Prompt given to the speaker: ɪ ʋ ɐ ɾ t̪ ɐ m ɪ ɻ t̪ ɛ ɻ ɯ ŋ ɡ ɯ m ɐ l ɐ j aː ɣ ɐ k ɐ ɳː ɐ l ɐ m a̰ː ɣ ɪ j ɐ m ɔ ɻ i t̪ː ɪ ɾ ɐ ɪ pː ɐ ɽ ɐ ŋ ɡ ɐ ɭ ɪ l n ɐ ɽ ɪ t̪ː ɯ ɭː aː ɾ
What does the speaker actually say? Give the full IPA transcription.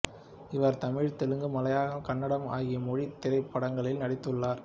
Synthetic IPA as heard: ɪ ʋ ɐ ɾ t̪ ɐ m ɪ ɻ t̪ ɛ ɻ ɯ ŋ ɡ ɯ m ɐ l ɐ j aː ɣ ɐ k ɐ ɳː ɐ ɽ ɐ m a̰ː ɣ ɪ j ɐ m ɔ ɻ i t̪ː ɪ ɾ ɐ ɪ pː ɐ ɽ ɐ ŋ ɡ ɐ ɭ ɪ l n ɐ ɽ ɪ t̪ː ɯ ɭː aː ɾ